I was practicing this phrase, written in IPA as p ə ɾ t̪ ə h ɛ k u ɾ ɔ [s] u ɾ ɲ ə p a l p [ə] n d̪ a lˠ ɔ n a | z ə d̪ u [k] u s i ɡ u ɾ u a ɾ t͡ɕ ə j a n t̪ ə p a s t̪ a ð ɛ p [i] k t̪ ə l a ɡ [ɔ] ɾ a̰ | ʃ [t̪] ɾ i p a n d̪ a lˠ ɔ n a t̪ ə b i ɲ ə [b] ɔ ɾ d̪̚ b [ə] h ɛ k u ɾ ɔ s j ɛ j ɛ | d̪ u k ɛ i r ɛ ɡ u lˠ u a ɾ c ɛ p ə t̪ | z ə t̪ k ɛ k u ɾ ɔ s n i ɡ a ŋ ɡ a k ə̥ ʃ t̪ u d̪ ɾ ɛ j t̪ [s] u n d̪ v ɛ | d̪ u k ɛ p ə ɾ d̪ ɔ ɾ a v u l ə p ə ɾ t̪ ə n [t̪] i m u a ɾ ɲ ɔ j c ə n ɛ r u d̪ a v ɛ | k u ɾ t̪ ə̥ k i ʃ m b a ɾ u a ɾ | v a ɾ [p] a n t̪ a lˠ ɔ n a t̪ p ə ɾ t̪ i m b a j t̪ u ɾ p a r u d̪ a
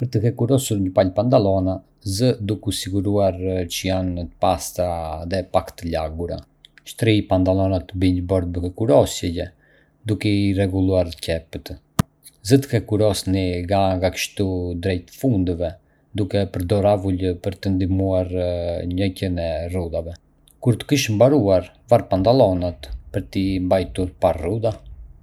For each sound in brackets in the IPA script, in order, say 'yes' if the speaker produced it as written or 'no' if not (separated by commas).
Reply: yes, no, yes, no, no, yes, yes, yes, no, no, yes